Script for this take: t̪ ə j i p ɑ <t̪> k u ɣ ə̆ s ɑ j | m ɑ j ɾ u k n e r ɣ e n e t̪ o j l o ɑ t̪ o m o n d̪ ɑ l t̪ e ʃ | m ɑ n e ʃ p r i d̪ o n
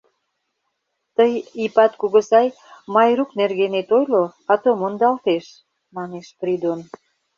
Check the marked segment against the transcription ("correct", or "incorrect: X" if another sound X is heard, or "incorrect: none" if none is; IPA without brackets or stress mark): correct